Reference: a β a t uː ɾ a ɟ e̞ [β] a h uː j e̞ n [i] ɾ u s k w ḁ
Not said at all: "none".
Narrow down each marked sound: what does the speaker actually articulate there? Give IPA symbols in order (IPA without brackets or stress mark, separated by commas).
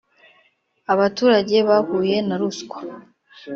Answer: β, a